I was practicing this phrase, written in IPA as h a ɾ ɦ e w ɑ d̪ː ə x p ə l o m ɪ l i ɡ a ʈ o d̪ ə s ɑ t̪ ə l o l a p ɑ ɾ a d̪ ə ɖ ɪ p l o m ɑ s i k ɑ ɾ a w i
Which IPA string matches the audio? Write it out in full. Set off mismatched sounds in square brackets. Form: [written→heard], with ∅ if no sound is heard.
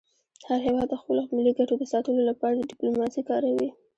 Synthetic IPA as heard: h a ɾ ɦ e w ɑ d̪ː ə x p ə l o m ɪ l i ɡ a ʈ o d̪ ə s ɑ t̪ ə l o l a p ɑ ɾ a d̪ ə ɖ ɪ p l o m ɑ s i k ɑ ɾ a w i